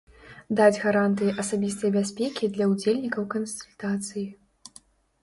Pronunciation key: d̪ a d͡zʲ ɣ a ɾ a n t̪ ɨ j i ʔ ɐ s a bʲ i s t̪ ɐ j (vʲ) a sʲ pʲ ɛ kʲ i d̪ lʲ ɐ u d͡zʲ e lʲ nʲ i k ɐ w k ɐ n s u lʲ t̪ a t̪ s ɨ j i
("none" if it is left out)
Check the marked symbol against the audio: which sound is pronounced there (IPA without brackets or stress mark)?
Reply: bʲ